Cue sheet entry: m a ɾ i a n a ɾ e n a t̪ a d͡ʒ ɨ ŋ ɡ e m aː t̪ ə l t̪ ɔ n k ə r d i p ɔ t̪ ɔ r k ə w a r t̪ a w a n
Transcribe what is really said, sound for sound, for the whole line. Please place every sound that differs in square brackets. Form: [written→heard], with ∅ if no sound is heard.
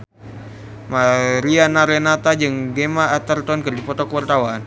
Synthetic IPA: m a ɾ i a n a ɾ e n a t̪ a d͡ʒ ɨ ŋ ɡ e m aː t̪ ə [l→r] t̪ ɔ n k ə r d i p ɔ t̪ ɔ [r→∅] k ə w a r t̪ a w a n